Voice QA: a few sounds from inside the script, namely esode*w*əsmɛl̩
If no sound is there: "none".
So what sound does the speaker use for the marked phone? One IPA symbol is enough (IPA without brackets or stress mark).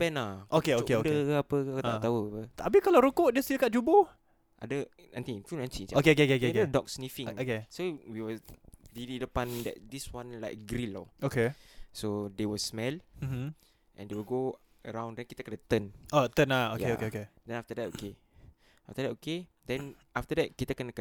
w